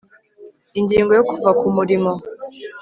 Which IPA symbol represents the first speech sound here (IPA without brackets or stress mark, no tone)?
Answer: i